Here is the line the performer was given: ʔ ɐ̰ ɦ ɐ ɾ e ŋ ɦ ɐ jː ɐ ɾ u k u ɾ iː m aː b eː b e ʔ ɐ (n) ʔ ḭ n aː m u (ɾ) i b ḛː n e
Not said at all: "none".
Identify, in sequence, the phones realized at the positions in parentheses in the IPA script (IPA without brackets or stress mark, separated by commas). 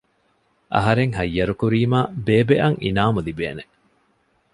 ŋ, l